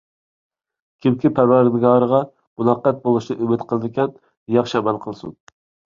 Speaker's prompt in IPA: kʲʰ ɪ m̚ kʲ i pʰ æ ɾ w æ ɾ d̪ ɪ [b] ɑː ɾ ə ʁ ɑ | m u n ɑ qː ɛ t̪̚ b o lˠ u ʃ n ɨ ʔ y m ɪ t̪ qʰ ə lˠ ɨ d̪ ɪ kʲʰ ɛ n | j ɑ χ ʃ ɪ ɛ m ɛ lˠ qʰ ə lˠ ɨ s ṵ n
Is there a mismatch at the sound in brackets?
yes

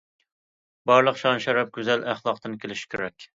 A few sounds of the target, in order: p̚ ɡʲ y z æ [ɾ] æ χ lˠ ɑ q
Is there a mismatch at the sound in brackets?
yes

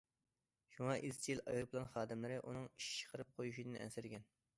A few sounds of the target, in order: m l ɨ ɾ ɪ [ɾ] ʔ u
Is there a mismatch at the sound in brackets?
yes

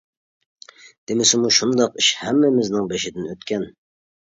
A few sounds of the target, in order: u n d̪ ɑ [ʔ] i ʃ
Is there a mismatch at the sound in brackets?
yes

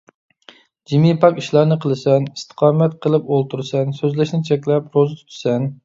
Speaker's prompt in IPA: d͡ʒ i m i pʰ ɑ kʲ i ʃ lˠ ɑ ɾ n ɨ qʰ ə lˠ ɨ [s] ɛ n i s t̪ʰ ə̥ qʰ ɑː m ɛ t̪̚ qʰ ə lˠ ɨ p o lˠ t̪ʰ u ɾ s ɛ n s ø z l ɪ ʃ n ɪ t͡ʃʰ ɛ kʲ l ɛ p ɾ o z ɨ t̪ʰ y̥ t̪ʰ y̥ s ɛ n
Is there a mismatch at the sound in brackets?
no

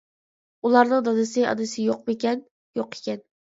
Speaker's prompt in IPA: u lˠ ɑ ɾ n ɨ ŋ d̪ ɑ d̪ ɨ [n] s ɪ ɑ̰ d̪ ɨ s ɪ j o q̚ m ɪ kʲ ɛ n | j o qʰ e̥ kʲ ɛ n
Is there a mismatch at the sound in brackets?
yes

